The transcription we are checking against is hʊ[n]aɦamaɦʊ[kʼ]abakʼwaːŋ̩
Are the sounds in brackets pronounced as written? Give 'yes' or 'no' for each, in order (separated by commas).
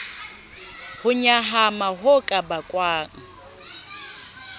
no, yes